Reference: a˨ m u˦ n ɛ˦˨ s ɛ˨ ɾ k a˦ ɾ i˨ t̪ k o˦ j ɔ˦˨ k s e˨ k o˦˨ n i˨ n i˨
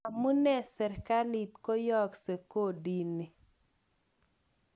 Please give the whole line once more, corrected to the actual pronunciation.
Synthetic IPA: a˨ m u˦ n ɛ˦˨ s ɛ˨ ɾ k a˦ l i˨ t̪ k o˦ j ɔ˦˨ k s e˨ k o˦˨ d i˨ n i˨